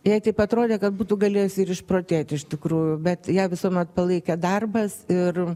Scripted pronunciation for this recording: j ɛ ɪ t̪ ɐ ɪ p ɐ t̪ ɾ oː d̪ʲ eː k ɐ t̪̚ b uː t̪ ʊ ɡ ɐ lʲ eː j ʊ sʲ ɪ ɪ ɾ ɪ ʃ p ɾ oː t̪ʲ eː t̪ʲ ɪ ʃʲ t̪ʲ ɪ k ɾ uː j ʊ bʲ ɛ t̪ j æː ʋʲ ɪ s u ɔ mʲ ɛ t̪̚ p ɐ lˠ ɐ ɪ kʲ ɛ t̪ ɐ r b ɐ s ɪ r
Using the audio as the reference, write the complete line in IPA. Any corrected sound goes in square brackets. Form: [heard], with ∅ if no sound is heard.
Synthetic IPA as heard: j ɛ ɪ t̪ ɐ ɪ p ɐ t̪ ɾ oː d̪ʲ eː k ɐ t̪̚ b uː t̪ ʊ ɡ ɐ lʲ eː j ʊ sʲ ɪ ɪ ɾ ɪ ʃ p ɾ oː t̪ʲ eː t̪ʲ ɪ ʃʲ t̪ʲ ɪ k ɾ uː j ʊ bʲ ɛ t̪ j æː ʋʲ ɪ s u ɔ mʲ ɛ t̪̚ p ɐ lˠ ɐ ɪ kʲ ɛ [d̪] ɐ r b ɐ s ɪ r